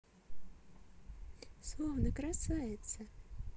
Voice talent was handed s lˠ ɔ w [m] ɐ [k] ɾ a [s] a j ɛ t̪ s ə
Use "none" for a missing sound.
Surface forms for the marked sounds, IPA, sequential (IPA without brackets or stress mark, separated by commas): n, k, s